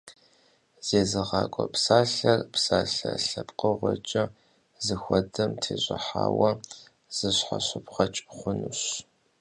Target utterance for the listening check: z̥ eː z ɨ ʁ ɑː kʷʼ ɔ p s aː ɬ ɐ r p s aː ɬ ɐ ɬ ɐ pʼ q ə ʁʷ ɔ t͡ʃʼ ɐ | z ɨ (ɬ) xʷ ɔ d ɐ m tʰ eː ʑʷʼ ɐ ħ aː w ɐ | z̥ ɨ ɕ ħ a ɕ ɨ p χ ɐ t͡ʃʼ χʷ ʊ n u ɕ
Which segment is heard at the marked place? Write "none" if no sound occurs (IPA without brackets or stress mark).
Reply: none